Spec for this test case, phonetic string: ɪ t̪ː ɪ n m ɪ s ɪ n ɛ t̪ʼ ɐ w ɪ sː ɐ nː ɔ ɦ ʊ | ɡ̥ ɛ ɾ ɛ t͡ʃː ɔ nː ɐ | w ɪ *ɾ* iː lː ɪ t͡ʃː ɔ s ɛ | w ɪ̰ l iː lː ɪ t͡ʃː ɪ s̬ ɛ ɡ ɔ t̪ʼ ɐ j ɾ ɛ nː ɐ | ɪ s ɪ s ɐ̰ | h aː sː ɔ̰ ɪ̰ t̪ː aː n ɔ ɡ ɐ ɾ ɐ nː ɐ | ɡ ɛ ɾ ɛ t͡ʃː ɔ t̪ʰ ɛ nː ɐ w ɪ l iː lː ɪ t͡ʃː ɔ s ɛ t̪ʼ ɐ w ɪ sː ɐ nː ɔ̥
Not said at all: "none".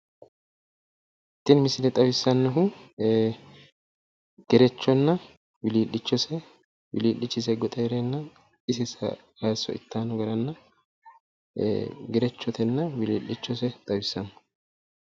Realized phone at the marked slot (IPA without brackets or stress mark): l